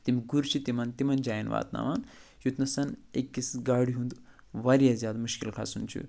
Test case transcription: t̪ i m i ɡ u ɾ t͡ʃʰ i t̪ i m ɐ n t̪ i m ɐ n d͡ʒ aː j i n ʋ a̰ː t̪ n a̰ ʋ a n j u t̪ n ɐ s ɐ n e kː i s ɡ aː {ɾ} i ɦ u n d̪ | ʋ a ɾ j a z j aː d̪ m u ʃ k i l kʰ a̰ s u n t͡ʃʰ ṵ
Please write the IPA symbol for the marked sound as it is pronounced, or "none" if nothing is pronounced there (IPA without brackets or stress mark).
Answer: ɽ